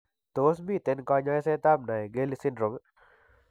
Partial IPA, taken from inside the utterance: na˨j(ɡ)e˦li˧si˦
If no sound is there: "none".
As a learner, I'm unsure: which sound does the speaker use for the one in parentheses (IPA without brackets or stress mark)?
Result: ɡ